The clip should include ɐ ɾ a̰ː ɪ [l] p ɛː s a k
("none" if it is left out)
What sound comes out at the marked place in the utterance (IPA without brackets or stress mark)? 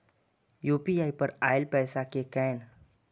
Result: l